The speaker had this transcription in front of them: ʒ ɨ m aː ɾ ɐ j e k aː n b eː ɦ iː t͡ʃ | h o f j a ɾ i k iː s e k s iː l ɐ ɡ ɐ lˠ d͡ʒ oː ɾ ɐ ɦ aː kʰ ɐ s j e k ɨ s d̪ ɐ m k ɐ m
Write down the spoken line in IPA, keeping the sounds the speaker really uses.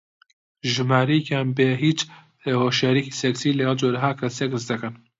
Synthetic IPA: ʒ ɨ m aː ɾ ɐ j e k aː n b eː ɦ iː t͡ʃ | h o ʃ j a ɾ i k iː s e k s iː l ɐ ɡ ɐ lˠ d͡ʒ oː ɾ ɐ ɦ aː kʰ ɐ s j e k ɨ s d̪ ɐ k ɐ n